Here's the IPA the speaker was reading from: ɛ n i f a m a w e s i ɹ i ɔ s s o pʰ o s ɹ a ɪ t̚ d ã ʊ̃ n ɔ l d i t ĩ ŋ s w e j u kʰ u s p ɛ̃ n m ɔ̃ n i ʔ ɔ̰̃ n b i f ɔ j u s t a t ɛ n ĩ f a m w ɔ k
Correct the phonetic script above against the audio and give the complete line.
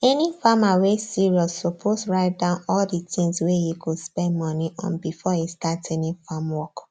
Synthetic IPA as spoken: ɛ n i f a m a w e s i ɹ i ɔ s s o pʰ o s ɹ a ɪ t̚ d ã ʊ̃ n ɔ l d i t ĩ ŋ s w e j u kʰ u s p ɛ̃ n m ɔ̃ n i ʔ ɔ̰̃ n b i f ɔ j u s t a t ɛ n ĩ f a m w ɔ k